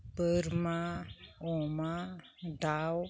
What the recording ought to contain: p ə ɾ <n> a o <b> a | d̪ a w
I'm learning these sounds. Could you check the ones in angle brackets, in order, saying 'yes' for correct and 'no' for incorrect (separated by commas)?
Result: no, no